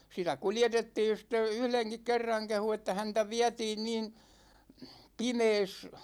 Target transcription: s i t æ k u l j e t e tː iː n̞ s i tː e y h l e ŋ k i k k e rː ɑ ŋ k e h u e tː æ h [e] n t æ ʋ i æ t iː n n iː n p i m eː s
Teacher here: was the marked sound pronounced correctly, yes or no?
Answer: no